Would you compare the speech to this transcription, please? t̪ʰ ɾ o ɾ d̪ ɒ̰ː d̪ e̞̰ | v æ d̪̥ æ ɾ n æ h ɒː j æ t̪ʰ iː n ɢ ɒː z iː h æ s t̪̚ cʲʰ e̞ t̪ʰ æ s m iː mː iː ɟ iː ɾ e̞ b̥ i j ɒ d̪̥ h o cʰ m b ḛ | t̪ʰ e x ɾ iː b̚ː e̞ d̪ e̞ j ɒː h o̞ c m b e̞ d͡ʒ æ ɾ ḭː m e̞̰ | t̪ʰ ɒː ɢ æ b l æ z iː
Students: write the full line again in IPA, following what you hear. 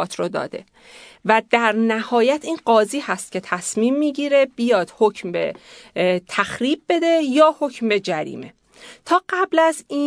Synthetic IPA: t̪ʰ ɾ o d̪ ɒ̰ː d̪ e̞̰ | v æ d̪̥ æ ɾ n æ h ɒː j æ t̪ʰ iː n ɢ ɒː z iː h æ s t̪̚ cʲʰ e̞ t̪ʰ æ s m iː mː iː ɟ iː ɾ e̞ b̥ i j ɒː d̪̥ h o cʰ m b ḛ | t̪ʰ æ x ɾ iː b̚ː e̞ d̪ e̞ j ɒː h o̞ c m b e̞ d͡ʒ æ ɾ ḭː m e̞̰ | t̪ʰ ɒː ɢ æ b l æ z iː